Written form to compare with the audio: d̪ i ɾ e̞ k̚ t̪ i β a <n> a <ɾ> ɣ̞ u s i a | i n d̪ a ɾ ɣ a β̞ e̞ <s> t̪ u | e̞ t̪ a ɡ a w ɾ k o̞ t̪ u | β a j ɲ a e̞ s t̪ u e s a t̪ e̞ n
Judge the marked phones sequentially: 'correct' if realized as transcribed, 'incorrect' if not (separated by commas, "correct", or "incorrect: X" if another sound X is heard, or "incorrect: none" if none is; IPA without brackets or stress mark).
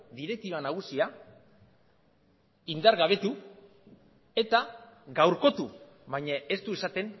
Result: correct, incorrect: none, incorrect: none